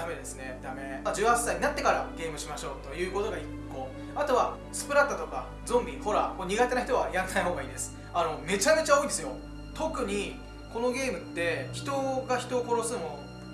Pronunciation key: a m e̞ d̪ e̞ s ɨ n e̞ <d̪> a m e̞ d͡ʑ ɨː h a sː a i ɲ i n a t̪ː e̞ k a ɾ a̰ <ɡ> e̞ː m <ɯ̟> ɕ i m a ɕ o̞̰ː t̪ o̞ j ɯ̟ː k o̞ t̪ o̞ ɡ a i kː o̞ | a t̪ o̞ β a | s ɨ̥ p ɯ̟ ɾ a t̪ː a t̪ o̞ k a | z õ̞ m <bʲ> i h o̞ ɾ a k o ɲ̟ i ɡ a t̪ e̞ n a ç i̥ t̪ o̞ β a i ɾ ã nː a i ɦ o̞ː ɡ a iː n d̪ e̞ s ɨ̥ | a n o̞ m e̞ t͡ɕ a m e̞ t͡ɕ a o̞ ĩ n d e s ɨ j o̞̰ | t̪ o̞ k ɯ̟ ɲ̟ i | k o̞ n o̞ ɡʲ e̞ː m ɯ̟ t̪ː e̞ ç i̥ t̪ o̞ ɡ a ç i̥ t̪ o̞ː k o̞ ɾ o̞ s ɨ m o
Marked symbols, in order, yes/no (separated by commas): yes, yes, yes, yes